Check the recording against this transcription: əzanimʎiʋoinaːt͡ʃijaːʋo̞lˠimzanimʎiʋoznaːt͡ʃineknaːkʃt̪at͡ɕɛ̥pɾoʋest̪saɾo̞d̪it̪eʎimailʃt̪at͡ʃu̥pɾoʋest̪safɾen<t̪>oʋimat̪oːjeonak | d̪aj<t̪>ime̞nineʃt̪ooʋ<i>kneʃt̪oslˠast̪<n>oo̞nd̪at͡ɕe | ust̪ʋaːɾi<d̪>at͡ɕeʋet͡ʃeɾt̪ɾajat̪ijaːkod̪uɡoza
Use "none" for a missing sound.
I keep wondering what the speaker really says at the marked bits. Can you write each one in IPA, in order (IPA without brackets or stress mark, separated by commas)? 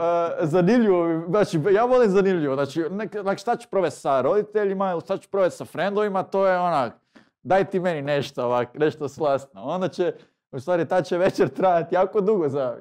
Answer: d̪, t̪, a, n, t̪